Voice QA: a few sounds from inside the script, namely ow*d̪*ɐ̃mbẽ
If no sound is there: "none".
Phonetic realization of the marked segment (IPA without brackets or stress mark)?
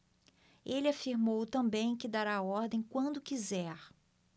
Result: t̪